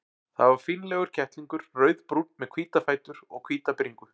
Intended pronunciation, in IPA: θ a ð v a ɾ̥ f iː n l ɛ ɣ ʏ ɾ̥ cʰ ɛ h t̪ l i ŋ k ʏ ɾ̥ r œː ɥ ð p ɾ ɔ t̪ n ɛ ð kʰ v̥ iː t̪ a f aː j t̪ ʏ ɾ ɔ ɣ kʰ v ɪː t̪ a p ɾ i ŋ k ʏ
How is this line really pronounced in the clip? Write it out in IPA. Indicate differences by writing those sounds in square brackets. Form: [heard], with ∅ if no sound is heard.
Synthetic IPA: θ a ð v a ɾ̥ f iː n l ɛ ɣ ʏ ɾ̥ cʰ ɛ h t̪ l i ŋ k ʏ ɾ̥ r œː ɥ ð p ɾ [u] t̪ [m] ɛ ð kʰ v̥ iː t̪ a f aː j t̪ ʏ ɾ ɔ ɣ kʰ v [iː] t̪ a p ɾ i ŋ k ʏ